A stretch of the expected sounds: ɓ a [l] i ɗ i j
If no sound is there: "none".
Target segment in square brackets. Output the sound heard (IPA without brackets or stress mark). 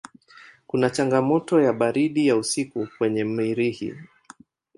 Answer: ɾ